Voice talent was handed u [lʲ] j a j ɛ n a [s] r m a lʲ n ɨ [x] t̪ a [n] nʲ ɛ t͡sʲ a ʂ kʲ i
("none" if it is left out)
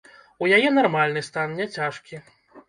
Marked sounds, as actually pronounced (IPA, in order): none, none, s, n

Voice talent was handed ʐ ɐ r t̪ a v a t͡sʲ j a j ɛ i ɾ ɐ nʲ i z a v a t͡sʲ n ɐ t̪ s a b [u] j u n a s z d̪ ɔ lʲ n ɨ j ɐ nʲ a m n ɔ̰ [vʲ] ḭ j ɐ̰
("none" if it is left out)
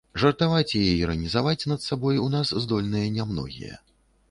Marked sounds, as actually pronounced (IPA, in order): ɔ, ɣʲ

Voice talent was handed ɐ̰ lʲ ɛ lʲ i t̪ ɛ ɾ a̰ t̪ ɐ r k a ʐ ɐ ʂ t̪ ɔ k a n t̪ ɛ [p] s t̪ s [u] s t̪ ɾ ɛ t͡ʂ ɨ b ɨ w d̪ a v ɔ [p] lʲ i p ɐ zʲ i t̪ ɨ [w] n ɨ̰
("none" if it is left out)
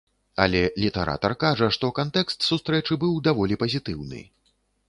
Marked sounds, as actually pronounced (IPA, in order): k, u, none, w

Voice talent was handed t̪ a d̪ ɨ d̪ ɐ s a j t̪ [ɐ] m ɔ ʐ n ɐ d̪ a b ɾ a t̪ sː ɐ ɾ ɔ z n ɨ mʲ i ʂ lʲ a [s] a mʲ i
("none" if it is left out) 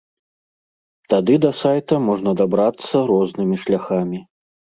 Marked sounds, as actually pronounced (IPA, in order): ɐ, x

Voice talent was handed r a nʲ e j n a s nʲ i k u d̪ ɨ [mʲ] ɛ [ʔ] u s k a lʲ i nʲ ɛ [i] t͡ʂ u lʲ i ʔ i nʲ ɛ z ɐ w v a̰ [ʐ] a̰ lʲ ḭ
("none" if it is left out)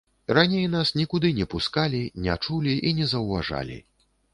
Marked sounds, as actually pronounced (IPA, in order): nʲ, p, a, ʐ

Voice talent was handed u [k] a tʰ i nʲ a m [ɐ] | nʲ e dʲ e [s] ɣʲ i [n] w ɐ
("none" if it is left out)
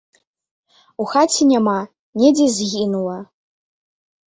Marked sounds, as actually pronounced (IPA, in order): x, a, z, n

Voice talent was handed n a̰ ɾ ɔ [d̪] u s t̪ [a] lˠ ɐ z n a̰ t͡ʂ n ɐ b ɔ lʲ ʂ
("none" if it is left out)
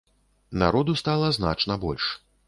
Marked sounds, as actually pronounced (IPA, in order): d̪, a

